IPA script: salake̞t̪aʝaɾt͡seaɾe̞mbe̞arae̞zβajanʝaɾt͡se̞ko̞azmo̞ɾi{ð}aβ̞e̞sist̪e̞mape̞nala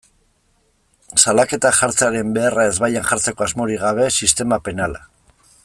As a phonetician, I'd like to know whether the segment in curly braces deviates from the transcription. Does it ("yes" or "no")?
yes